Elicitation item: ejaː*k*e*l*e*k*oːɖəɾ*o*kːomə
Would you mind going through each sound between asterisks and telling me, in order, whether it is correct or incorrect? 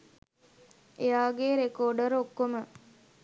incorrect, incorrect, correct, correct

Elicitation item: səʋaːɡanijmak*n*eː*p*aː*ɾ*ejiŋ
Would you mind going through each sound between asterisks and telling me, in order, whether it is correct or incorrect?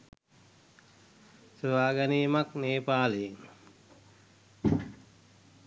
correct, correct, incorrect

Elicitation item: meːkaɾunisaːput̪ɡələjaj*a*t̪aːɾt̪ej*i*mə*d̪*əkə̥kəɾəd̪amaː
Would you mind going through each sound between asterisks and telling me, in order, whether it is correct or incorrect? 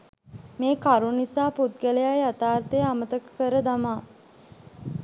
correct, incorrect, incorrect

